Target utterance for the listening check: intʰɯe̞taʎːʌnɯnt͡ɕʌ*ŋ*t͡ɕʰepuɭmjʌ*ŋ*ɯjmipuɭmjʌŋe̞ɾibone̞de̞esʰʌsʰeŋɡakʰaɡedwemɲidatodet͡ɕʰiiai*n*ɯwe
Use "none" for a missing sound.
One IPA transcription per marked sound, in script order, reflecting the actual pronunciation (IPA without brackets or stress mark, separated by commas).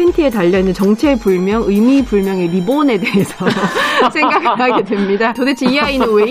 ŋ, ŋ, n